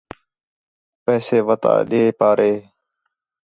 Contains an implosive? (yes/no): yes